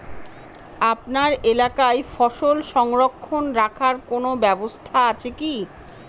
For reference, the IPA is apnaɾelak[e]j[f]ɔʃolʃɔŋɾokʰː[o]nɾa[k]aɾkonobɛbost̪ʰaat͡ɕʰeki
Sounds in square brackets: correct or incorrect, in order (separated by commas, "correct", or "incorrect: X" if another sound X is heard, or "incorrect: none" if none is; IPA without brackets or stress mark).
incorrect: a, correct, correct, incorrect: kʰ